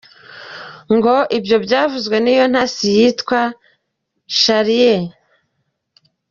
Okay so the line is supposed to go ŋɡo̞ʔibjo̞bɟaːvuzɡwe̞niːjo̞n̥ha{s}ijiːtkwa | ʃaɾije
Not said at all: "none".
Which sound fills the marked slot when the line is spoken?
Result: s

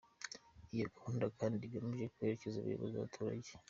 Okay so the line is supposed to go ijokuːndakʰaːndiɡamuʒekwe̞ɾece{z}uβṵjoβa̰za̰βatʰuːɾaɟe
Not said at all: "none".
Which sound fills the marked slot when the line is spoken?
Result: z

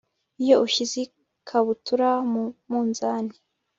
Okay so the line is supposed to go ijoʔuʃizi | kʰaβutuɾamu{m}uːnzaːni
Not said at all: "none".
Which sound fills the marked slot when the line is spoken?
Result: m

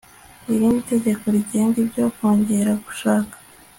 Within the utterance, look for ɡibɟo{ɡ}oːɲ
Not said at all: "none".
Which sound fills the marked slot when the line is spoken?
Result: k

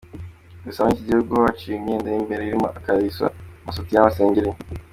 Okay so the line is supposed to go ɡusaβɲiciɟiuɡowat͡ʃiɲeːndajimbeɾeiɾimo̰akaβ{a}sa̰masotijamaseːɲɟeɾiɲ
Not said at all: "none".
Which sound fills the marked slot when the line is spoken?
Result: i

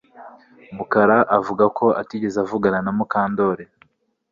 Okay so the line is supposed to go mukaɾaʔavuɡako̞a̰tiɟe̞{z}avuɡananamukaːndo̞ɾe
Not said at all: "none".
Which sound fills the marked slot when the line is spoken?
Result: z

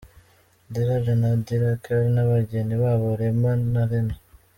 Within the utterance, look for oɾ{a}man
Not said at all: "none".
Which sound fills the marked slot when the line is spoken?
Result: e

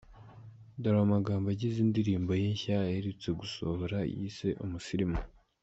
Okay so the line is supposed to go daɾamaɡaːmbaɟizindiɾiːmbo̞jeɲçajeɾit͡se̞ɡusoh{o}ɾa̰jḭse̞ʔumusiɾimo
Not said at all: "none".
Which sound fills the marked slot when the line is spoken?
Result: o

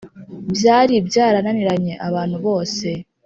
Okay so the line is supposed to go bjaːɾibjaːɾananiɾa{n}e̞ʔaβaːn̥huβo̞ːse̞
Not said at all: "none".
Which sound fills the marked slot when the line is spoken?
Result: ɲ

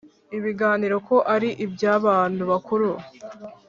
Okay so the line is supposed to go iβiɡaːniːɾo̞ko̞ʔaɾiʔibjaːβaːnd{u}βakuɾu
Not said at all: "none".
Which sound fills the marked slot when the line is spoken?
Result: u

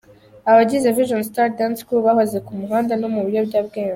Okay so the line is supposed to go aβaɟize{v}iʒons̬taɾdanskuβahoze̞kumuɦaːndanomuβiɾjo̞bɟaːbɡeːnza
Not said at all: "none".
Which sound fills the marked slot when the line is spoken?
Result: v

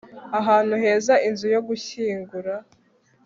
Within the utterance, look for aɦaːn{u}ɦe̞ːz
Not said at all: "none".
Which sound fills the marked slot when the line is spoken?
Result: u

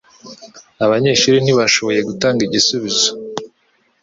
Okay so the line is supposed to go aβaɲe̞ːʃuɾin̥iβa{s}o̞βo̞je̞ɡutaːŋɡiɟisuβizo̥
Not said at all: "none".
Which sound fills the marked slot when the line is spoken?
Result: ʃ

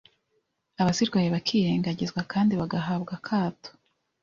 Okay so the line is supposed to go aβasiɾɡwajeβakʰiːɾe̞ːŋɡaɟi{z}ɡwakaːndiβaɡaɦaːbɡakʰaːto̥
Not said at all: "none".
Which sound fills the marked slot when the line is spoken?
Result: z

